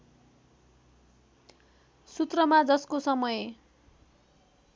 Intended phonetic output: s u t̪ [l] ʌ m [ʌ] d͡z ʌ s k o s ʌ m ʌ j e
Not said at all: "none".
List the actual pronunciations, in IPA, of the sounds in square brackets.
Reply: r, a

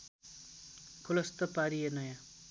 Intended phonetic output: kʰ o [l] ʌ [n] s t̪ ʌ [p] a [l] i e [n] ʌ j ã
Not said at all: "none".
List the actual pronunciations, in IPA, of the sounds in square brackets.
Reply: l, none, p, ɾ, n

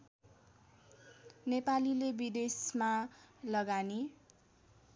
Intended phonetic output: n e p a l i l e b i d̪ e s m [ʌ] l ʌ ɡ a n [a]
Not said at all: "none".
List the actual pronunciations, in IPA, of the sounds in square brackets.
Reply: a, i

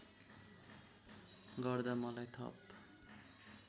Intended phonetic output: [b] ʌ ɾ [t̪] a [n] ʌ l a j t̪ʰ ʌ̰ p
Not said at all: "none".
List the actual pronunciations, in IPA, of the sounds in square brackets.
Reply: ɡ, d̪, m

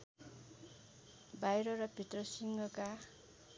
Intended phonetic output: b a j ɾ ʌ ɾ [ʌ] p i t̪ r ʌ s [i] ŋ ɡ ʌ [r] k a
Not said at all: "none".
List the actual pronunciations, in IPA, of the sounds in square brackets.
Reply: ʌ, i, none

